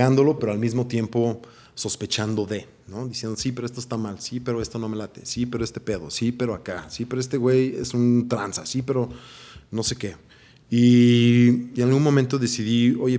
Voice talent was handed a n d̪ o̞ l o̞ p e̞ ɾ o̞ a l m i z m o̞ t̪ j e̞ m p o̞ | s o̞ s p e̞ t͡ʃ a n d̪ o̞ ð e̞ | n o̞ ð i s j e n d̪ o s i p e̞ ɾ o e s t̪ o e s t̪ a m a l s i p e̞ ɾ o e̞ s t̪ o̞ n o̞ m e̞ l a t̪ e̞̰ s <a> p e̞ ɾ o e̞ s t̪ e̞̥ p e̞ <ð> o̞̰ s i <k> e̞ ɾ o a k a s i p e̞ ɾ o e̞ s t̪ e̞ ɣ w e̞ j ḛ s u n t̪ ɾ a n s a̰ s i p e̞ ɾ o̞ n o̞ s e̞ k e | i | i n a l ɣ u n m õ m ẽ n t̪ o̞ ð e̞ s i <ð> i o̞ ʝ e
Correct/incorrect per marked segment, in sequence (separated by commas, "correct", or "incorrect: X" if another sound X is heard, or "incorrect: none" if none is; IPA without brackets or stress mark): incorrect: i, correct, incorrect: p, correct